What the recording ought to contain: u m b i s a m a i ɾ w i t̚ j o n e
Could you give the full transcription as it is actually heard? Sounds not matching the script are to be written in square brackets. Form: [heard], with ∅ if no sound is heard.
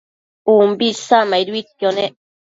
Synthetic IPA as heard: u m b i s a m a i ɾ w i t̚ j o n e